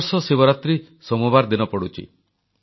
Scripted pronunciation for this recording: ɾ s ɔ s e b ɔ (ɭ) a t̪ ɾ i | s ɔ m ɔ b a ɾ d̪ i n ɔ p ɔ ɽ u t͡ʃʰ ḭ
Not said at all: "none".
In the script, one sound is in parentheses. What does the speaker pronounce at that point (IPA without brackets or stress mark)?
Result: ɾ